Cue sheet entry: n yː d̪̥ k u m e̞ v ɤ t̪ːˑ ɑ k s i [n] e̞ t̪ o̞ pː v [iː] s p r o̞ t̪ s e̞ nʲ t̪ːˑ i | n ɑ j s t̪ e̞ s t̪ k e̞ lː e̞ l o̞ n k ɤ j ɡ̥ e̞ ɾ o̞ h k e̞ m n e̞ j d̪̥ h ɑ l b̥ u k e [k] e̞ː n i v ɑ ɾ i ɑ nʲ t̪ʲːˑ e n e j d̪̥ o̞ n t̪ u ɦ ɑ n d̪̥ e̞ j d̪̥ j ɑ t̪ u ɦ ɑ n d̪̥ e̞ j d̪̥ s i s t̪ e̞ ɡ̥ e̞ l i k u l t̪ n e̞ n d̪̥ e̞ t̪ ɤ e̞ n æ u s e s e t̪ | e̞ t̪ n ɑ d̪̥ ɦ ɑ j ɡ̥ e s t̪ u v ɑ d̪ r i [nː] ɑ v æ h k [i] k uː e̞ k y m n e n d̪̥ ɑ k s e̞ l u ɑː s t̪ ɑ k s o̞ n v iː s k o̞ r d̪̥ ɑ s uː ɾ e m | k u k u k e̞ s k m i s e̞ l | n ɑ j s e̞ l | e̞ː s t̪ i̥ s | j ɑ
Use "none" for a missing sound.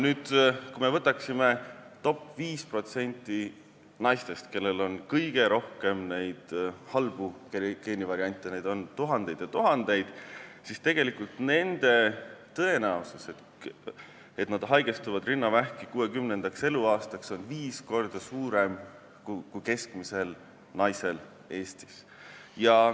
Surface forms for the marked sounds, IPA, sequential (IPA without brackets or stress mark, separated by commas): m, iː, k, nː, i